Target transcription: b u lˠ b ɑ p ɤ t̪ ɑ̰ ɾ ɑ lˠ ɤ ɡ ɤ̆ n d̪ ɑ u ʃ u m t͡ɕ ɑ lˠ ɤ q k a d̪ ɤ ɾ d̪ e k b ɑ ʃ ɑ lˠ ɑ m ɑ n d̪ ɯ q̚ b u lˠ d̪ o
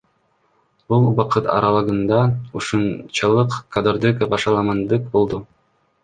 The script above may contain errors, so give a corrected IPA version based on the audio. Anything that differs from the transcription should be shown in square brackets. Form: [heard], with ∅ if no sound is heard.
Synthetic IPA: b u lˠ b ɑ [q] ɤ t̪ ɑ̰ ɾ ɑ lˠ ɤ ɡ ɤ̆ n d̪ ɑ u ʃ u [n] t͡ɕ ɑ lˠ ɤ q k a d̪ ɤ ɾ d̪ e k b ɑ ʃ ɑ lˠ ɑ m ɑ n d̪ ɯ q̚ b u lˠ d̪ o